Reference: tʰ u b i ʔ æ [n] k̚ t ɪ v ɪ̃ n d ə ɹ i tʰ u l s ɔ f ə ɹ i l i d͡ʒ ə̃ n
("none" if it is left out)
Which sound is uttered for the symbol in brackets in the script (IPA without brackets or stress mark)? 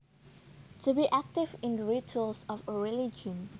none